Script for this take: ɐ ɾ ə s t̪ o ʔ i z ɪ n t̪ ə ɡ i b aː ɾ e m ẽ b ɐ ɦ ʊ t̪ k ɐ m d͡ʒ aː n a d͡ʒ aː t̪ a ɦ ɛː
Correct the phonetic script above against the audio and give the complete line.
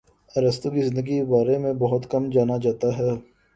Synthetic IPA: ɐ ɾ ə s t̪ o k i z ɪ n d̪ ə ɡ i b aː ɾ e m ẽ b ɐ ɦ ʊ t̪ k ɐ m d͡ʒ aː n a d͡ʒ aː t̪ a ɦ ɛː